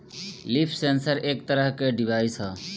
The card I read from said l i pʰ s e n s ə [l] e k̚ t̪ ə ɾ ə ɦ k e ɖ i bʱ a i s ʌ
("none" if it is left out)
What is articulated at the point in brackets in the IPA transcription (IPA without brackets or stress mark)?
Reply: ɾ